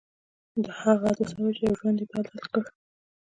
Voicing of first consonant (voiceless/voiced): voiced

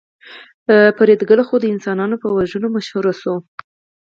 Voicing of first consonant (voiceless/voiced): voiceless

